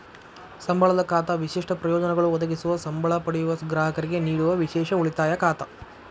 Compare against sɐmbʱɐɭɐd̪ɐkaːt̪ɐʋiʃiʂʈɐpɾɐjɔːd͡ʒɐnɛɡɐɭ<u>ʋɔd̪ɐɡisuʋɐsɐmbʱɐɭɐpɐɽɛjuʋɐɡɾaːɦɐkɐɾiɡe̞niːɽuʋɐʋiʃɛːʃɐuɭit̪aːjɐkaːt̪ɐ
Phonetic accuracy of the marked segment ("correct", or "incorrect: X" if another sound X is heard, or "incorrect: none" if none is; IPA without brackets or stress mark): correct